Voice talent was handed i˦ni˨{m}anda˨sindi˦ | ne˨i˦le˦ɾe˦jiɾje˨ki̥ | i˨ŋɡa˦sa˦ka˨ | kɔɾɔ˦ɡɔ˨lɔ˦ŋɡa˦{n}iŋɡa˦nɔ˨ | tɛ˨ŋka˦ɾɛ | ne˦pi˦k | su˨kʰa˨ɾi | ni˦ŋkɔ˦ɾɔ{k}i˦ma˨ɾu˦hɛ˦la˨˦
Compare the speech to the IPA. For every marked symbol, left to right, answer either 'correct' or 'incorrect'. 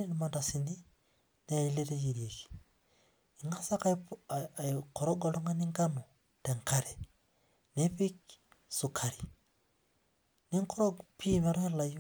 correct, correct, incorrect

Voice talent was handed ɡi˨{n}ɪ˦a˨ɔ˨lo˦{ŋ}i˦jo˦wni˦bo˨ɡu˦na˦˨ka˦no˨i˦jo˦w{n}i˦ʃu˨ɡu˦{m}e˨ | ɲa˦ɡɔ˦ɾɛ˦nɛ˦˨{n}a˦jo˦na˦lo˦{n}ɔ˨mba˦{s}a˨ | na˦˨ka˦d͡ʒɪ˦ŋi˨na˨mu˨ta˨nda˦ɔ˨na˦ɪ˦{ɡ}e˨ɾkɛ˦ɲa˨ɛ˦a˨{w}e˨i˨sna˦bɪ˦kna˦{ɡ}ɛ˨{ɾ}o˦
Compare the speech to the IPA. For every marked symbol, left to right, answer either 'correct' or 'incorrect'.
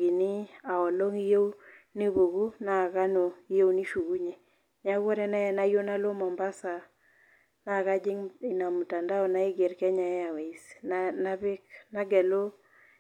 correct, correct, correct, incorrect, correct, incorrect, correct, correct, correct, correct, incorrect

